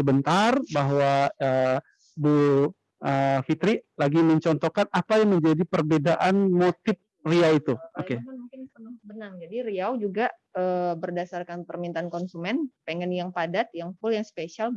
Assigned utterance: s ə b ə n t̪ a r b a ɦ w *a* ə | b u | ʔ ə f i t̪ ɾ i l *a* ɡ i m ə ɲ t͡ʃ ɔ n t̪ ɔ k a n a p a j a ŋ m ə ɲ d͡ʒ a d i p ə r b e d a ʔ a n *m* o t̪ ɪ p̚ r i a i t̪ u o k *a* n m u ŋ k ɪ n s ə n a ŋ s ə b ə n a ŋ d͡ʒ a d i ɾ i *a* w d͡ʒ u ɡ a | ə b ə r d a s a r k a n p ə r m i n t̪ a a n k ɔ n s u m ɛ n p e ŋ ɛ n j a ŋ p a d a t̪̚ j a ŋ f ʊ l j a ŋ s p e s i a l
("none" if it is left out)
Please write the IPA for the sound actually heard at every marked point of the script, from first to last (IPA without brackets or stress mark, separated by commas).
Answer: a, a, m, e, a